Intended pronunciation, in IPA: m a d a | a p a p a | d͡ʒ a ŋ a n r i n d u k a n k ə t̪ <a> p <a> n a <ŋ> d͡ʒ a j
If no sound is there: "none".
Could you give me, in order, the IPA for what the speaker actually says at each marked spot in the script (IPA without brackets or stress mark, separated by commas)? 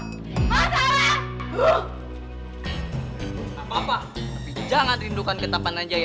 a, a, ɲ